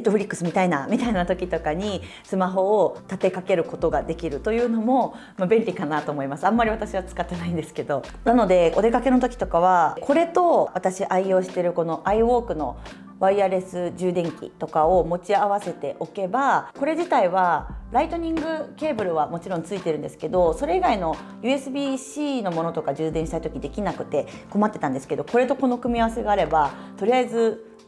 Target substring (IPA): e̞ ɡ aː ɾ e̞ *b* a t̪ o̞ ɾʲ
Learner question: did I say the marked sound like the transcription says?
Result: yes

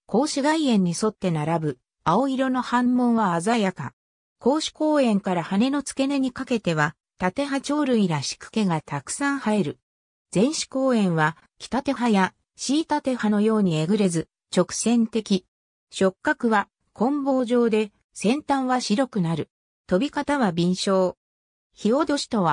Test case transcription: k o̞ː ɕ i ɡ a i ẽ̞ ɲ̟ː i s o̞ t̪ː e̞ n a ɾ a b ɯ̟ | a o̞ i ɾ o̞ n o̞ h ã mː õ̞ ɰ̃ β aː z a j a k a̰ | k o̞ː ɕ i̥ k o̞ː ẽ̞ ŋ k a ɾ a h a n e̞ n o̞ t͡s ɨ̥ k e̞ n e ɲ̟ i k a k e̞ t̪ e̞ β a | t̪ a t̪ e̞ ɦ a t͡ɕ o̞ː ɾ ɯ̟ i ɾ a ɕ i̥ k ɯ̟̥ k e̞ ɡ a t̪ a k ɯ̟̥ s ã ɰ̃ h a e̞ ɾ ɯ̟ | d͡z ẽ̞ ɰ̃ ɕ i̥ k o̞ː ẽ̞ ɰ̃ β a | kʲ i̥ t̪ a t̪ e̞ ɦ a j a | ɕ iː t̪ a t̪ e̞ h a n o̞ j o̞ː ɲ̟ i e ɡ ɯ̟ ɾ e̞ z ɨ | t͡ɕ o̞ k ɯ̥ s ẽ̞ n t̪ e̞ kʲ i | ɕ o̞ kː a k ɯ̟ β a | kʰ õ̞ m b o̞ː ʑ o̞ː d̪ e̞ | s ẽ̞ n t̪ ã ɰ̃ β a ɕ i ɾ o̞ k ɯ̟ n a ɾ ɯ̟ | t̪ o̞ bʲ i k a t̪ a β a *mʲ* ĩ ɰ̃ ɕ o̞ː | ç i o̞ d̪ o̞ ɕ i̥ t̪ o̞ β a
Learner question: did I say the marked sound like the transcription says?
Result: no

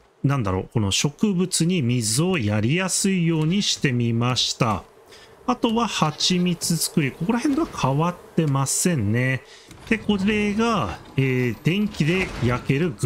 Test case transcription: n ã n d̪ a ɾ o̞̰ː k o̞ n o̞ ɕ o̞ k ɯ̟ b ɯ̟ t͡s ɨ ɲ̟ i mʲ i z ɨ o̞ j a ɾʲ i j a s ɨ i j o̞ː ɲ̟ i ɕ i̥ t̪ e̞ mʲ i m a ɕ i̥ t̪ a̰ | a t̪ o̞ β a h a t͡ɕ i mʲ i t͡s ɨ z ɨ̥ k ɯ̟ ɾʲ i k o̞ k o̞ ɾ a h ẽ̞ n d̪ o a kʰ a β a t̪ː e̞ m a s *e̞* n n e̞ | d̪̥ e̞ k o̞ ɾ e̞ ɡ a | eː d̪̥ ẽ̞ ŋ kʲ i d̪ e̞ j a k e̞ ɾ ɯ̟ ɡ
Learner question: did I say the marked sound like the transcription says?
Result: no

